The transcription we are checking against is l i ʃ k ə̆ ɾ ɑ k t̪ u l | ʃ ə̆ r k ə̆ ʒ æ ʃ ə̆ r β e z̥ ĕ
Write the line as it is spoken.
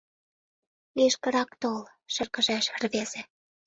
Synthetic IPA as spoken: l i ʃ k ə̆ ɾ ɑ k t̪ o l | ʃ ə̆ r k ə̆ ʒ æ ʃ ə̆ r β e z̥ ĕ